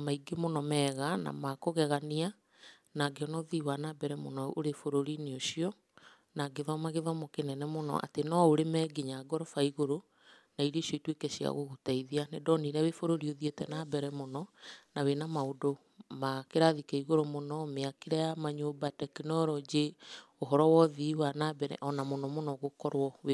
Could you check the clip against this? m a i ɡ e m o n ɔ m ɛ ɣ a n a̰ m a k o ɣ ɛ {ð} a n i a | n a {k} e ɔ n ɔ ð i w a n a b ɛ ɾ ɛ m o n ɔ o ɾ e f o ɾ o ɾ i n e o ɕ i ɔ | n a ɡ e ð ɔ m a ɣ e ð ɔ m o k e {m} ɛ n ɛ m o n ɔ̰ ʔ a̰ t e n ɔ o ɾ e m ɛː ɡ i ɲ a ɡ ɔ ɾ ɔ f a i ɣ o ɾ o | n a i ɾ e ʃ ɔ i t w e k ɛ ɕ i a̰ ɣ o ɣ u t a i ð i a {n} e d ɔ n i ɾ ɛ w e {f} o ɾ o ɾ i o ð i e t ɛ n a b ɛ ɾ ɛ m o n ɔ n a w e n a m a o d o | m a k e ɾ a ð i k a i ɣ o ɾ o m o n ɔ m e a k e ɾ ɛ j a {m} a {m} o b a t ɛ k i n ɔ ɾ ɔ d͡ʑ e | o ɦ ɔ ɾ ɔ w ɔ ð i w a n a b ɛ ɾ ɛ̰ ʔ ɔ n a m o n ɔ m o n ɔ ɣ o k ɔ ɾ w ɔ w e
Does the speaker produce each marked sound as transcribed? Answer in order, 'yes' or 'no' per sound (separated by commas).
no, no, no, yes, yes, yes, no